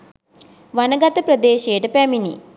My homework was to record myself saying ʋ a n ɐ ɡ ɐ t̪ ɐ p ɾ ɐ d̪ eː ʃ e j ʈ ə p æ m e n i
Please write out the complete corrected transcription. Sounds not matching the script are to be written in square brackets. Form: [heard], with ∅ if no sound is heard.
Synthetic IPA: ʋ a n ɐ ɡ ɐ t̪ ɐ p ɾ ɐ d̪ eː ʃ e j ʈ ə p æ m [i] n i